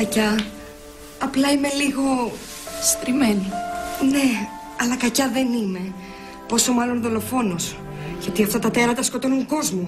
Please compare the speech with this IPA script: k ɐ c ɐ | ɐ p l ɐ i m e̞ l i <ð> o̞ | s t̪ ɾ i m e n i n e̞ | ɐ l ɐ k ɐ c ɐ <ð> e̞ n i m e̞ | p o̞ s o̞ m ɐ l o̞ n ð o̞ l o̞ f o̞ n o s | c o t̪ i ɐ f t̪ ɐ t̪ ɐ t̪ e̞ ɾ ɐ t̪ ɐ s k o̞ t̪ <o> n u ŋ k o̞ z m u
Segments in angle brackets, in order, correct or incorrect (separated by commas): incorrect, correct, correct